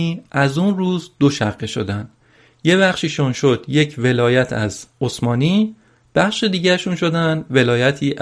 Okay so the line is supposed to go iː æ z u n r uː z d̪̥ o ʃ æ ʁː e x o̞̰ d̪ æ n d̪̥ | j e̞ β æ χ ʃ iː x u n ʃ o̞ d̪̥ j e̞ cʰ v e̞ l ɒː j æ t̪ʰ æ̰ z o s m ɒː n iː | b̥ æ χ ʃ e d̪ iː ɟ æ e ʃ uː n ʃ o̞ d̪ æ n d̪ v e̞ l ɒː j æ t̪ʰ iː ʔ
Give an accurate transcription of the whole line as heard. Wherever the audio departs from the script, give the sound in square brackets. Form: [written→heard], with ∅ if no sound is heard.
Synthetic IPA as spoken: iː æ z u n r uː z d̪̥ o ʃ æ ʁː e [x→ʃ] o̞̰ d̪ æ n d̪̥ | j e̞ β æ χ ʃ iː [x→ʃ] u n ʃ o̞ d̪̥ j e̞ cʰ v e̞ l ɒː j æ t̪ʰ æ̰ z o s m ɒː n iː | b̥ æ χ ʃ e d̪ iː ɟ æ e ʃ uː n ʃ o̞ d̪ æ n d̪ v e̞ l ɒː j æ t̪ʰ iː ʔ